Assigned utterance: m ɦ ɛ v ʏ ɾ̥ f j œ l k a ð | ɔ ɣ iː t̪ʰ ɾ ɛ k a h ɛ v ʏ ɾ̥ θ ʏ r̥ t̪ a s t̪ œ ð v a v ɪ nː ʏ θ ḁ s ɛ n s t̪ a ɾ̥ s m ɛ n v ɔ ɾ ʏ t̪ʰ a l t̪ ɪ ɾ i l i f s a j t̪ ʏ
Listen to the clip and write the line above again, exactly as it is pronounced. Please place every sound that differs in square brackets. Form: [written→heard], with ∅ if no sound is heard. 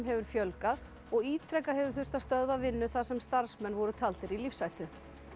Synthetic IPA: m ɦ ɛ v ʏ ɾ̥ f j œ l k a ð | ɔ ɣ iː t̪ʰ ɾ ɛ k a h ɛ v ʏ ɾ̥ θ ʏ r̥ t̪ a s t̪ œ ð v a v ɪ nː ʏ θ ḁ s ɛ [n→m] s t̪ a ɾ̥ s m ɛ n v ɔ ɾ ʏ t̪ʰ a l t̪ ɪ ɾ i l i f s a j t̪ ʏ